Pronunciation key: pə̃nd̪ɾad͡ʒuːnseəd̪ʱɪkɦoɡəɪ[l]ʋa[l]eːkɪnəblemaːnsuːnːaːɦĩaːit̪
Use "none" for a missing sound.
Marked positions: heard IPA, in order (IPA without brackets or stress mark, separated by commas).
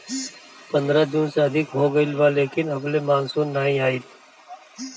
l, l